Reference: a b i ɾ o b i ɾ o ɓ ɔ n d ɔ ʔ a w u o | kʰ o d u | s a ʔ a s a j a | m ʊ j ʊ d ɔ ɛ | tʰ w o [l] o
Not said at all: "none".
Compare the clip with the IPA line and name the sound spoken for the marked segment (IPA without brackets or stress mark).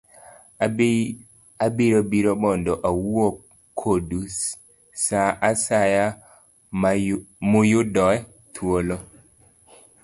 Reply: l